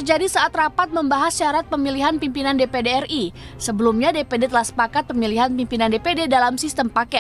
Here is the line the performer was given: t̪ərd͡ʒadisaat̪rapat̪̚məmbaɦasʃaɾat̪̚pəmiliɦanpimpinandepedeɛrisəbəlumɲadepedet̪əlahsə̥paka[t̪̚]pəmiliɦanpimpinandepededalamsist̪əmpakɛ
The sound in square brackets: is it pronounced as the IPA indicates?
yes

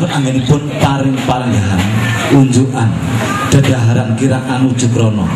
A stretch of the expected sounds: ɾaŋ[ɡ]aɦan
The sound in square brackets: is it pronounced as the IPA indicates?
yes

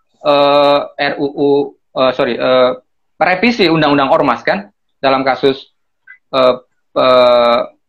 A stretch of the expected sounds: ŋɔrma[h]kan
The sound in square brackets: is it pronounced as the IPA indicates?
no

